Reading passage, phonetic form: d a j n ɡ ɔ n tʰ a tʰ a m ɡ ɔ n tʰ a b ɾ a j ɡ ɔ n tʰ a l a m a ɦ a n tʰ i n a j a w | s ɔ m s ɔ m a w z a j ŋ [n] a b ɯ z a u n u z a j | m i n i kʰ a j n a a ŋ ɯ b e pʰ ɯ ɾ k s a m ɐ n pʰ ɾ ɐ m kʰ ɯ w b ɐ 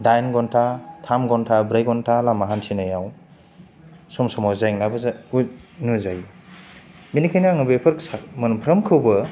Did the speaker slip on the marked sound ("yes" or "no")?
no